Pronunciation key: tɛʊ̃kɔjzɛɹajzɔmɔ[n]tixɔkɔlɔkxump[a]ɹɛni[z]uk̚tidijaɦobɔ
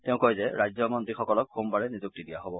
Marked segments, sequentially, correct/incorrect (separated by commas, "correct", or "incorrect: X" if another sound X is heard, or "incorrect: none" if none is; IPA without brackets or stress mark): correct, correct, correct